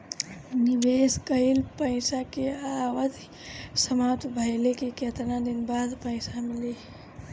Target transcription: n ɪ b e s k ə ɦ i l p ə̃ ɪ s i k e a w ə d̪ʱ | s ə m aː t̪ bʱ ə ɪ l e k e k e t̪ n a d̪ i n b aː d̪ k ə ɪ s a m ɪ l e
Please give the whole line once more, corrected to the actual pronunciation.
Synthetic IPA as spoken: n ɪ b e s k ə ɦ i l p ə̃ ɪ s a k e a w ə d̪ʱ | s ə m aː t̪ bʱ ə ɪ l e k e k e t̪ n a d̪ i n b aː d̪ p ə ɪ s a m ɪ l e